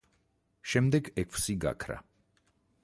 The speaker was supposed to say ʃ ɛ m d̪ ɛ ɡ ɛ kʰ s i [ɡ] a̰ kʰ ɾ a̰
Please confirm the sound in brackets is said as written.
yes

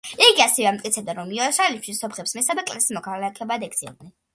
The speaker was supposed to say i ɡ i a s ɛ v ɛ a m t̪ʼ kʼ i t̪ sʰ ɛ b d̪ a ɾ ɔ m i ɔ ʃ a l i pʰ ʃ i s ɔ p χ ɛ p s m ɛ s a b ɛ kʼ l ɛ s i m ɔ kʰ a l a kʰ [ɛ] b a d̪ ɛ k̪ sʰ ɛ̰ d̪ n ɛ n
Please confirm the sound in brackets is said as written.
yes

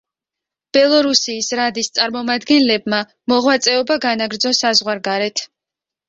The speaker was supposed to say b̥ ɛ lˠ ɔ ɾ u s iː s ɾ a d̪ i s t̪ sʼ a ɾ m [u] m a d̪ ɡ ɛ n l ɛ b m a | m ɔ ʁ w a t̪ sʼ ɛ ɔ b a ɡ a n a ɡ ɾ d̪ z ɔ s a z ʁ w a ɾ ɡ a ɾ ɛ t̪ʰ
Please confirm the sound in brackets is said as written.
no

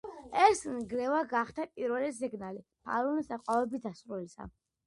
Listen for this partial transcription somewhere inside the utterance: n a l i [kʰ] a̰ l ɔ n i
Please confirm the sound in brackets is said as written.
no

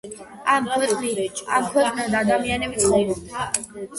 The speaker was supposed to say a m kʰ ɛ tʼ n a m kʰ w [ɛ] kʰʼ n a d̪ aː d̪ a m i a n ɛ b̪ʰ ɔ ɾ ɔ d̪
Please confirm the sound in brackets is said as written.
yes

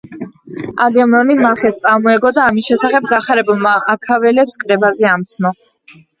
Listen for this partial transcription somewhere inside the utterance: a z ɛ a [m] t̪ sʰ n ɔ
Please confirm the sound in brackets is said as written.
yes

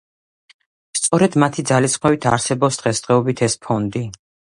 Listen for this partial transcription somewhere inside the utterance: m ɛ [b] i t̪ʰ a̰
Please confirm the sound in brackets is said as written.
no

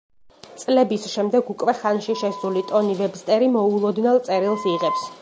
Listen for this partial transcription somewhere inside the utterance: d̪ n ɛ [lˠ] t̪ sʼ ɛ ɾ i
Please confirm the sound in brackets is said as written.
yes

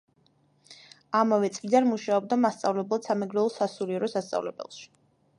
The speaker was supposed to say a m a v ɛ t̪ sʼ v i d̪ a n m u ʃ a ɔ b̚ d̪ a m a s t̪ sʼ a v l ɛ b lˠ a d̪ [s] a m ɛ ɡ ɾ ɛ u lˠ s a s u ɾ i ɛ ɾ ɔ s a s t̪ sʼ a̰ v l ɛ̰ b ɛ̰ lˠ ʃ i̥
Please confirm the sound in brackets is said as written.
yes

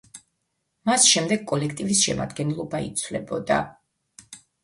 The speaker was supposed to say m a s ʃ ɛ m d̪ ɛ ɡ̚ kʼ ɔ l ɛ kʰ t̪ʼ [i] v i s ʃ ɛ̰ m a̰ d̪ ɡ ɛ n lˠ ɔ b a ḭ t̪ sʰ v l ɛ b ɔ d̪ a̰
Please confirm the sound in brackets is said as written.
yes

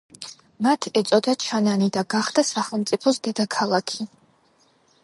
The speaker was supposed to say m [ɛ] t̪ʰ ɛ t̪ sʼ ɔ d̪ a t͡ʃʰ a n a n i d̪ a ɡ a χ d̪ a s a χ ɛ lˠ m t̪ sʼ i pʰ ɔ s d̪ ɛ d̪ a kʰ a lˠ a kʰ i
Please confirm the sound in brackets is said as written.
no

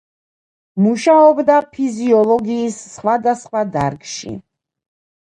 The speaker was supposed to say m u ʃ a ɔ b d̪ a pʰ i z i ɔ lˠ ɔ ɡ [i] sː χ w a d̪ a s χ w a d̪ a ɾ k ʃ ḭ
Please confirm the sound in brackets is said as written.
no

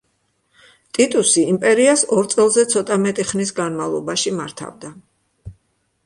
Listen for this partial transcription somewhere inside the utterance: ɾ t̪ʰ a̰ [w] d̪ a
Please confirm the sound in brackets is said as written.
no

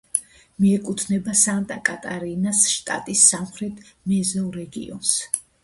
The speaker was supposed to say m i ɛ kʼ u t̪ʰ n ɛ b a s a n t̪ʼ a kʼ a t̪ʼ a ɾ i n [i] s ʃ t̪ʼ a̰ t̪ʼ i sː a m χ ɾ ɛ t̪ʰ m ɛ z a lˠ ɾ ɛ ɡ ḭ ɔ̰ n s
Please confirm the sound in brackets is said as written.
no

